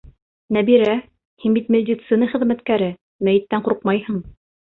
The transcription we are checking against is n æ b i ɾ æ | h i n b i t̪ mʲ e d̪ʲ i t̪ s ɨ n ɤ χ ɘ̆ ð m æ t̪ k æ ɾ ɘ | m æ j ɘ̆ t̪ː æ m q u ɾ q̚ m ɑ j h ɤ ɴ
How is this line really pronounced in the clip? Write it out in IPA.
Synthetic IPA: n æ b i ɾ æ | h i n b i t̪ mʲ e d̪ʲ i t̪ s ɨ n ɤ χ ɘ̆ ð m æ t̪ k æ ɾ ɘ | m æ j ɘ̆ t̪ː æ ɴ q u ɾ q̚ m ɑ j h ɤ ɴ